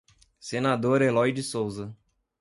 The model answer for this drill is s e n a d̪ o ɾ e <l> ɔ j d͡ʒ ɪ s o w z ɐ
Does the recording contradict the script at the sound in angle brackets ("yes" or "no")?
no